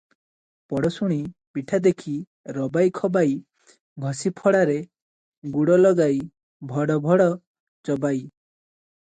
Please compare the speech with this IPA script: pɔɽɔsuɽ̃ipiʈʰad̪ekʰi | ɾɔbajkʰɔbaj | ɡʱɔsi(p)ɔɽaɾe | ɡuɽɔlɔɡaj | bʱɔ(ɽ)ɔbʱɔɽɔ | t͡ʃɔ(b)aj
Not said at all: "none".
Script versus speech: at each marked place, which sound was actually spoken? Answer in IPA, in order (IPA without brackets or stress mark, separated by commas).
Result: pʰ, ɽ, b